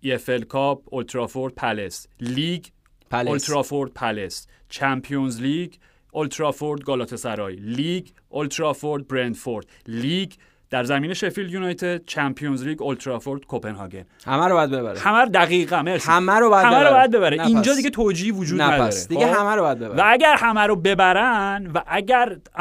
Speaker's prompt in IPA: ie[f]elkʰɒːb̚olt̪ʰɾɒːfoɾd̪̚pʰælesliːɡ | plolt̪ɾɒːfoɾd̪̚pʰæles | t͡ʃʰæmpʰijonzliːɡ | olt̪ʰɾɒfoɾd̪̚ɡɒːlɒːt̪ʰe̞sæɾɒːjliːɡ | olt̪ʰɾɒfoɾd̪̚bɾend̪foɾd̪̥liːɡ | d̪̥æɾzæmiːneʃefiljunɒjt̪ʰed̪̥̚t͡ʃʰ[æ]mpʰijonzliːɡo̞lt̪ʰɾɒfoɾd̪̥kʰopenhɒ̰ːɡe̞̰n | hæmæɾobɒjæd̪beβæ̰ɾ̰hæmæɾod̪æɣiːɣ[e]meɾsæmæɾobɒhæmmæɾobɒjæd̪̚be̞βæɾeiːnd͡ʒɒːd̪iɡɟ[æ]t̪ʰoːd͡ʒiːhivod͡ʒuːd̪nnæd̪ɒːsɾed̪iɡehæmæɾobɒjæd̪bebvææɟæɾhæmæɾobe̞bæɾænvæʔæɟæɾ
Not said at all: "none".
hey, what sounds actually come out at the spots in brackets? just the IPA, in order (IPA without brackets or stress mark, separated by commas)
f, æ, æ, e